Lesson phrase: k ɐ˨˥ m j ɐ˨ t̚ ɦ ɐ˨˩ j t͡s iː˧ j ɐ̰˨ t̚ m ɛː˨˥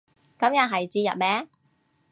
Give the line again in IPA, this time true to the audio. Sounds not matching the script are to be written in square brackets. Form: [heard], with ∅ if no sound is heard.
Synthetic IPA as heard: k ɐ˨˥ m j ɐ˨ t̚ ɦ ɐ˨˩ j t͡s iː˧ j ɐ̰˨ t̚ m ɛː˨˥